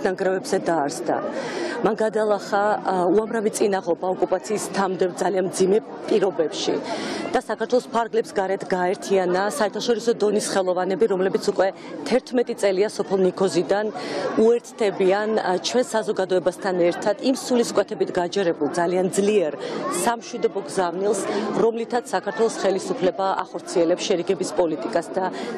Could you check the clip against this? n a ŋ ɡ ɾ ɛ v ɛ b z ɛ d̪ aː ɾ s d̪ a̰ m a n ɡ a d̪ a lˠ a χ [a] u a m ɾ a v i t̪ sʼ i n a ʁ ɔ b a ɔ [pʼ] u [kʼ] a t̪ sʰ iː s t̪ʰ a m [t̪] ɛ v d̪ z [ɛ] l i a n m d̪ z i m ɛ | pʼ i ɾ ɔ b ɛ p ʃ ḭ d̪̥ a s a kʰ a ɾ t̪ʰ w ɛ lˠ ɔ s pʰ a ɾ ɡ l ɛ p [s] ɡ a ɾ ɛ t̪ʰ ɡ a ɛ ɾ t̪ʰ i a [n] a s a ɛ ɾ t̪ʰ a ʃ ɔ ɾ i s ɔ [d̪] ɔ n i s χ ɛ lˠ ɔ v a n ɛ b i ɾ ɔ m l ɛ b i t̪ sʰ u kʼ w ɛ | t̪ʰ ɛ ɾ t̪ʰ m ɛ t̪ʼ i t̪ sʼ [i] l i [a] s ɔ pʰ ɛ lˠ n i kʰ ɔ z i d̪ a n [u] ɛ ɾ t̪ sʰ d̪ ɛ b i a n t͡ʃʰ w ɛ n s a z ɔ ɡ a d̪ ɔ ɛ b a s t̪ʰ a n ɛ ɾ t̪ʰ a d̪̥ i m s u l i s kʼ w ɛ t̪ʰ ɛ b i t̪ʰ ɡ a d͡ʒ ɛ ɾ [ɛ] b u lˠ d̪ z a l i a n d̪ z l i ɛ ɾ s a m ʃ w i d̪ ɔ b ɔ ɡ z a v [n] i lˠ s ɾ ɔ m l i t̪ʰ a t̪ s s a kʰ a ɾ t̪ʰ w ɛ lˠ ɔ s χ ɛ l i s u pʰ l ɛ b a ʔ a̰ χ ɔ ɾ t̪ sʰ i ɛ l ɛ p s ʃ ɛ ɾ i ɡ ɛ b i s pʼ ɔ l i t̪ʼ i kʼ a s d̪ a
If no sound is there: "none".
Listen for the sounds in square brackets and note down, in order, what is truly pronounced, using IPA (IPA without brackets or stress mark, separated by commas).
a, kʼ, pʼ, d̪, a, s, n, d̪, ɛ, a, u, ɛ, n